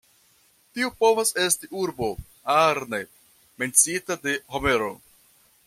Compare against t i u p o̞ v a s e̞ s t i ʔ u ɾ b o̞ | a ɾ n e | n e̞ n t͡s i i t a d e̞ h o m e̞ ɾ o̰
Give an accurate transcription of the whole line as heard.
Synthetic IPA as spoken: t i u p o̞ v a s e̞ s t i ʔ u ɾ b o̞ | a ɾ n e | m e̞ n t͡s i i t a d e̞ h o m e̞ ɾ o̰